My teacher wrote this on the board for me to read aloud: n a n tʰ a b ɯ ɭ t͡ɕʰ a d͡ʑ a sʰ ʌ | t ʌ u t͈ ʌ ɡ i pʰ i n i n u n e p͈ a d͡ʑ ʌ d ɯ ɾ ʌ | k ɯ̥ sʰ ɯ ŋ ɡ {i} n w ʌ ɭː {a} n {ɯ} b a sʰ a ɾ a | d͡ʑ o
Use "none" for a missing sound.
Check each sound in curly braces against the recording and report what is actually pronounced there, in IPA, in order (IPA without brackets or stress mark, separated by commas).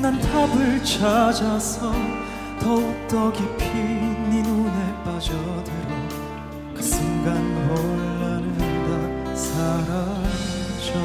a, a, ɯ